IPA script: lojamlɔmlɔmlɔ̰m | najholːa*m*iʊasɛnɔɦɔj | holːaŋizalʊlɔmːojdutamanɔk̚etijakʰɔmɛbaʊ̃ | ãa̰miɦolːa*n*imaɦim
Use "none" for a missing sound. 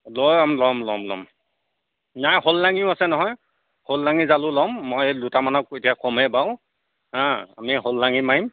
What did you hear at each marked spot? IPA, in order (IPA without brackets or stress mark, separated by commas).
ŋ, ŋ